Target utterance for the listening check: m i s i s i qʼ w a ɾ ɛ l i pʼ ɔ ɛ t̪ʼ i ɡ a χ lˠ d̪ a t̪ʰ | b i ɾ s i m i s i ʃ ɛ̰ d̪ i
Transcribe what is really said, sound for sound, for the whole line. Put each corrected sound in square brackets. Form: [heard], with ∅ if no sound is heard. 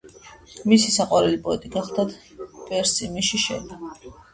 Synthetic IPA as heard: m i s i s [a] qʼ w a ɾ ɛ l i pʼ ɔ ɛ t̪ʼ i ɡ a χ lˠ d̪ a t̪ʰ | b [ɛ] ɾ s i m i [ʃ] i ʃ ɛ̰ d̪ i